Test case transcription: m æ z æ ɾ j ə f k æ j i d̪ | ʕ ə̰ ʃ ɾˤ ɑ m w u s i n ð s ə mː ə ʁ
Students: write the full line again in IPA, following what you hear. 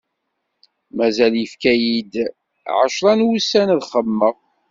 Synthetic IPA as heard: m æ z æ l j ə f k æ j i d̪ | ʕ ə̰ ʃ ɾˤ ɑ n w u s æ n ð χ ə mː ə ʁ